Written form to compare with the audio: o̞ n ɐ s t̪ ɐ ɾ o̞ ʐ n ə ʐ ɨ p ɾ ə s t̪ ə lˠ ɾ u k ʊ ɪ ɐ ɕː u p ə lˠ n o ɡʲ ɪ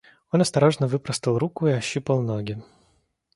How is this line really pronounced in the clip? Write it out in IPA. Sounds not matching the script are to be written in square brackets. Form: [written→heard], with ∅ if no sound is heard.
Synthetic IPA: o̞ n ɐ s t̪ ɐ ɾ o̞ ʐ n ə [ʐ→v] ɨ p ɾ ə s t̪ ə lˠ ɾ u k ʊ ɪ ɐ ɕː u p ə lˠ n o ɡʲ ɪ